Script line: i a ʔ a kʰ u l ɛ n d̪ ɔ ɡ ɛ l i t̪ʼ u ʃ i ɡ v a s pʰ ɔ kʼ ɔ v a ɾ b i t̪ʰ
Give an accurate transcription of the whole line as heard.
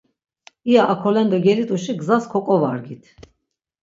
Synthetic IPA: i a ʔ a kʰ ɔ l ɛ n d̪ ɔ ɡ ɛ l i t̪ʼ u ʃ i ɡ z a s kʰ ɔ kʼ ɔ v a ɾ ɡ i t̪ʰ